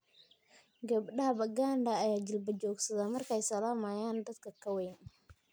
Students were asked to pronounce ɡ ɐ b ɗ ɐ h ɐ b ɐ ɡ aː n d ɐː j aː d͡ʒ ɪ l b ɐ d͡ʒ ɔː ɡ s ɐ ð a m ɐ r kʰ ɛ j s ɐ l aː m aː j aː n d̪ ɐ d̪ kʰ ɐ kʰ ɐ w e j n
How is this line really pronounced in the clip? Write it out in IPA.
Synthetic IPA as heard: ɡ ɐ b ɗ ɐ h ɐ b ɐ ɡ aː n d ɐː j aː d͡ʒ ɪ l b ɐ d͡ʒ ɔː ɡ s ɐ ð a m ɐ r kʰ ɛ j s ɐ l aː m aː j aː n d̪ ɐ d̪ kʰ ɐ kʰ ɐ w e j n